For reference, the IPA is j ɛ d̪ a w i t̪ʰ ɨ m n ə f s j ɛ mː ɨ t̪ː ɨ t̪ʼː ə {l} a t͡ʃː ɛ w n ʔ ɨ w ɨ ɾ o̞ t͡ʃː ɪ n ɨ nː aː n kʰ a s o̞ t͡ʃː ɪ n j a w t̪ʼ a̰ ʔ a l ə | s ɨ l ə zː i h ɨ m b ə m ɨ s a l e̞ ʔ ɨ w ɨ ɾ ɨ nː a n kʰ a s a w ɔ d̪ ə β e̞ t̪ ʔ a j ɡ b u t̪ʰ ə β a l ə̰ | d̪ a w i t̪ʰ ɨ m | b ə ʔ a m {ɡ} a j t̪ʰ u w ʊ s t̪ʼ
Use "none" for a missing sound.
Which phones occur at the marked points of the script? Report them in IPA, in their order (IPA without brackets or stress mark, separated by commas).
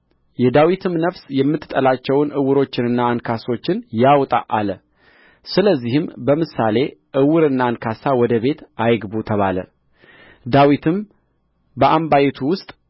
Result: l, b